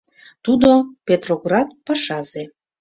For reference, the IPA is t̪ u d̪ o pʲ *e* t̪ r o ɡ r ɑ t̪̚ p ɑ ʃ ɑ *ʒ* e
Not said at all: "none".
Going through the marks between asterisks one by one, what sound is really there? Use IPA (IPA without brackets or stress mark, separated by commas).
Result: e, z